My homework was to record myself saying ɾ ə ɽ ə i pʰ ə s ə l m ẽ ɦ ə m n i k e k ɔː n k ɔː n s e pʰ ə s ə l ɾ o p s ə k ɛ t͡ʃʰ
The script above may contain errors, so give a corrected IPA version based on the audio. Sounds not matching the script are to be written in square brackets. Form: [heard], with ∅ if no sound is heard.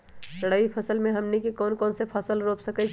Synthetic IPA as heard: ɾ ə ɽ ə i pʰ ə s ə l m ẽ ɦ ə m n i k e k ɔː n k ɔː n s e pʰ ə s ə l ɾ o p s ə k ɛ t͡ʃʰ